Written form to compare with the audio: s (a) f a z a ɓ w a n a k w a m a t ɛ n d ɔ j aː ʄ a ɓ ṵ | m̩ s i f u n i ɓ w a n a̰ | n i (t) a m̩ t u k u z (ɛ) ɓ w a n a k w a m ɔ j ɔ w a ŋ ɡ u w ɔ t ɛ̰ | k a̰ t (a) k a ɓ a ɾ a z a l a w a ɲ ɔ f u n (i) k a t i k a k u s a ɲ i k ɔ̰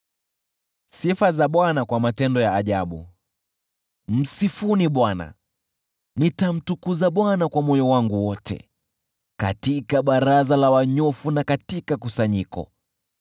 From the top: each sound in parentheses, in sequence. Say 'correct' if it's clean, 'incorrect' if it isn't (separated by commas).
incorrect, correct, incorrect, incorrect, incorrect